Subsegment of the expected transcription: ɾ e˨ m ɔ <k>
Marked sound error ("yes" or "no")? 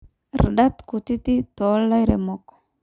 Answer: no